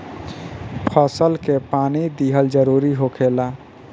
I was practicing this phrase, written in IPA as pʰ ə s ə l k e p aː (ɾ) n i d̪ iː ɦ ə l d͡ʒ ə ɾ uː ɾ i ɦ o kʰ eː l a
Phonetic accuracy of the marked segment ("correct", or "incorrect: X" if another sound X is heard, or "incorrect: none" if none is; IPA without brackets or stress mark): incorrect: none